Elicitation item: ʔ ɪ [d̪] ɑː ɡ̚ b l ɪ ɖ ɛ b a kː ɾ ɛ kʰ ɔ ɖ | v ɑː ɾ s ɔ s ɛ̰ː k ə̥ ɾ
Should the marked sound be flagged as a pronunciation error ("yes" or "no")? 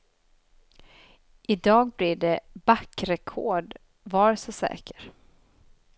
no